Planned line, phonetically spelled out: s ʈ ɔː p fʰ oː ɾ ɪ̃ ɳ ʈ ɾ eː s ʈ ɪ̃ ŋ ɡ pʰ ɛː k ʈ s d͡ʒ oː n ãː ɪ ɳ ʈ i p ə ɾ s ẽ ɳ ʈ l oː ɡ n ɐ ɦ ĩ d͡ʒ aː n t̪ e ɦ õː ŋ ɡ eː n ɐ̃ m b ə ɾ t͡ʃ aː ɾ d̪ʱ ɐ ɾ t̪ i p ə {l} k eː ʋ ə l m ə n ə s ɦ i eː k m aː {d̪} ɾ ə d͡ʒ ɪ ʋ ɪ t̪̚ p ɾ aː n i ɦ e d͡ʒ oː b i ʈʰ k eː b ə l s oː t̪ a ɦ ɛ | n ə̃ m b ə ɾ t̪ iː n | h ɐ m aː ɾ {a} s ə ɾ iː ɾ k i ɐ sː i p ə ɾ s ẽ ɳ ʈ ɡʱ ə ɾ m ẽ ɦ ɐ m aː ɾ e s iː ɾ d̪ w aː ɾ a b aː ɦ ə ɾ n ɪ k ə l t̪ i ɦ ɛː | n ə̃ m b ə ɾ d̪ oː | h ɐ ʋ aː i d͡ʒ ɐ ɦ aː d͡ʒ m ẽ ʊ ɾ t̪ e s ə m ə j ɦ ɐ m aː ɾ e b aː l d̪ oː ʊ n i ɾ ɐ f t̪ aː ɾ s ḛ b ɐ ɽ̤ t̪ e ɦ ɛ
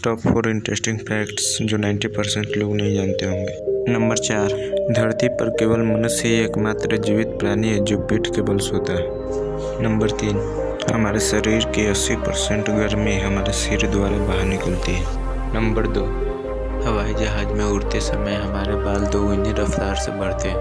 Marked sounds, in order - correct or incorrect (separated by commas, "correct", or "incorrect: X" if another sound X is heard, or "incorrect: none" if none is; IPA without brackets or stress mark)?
incorrect: ɾ, incorrect: t̪, incorrect: e